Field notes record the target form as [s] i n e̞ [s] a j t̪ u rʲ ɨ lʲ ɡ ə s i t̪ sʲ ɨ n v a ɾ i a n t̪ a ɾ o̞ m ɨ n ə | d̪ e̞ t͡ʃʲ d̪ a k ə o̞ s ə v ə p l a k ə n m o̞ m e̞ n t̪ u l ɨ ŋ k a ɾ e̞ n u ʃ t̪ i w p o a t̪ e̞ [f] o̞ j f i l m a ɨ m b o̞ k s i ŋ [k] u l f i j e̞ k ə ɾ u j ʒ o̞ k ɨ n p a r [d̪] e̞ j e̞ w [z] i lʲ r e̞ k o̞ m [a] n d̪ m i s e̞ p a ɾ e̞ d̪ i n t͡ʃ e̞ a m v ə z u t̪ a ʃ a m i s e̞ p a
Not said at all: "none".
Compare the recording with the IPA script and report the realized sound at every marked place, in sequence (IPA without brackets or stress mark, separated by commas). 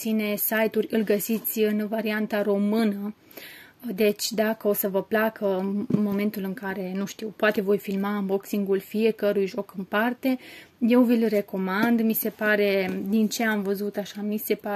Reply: s, s, v, ɡ, t̪, v, a